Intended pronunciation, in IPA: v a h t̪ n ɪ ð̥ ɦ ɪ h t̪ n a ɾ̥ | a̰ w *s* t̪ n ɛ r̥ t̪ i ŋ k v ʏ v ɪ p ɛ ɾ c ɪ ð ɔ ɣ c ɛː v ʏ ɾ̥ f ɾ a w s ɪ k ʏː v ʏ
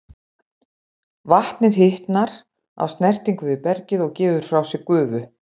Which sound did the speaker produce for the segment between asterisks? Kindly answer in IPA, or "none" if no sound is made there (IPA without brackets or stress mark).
s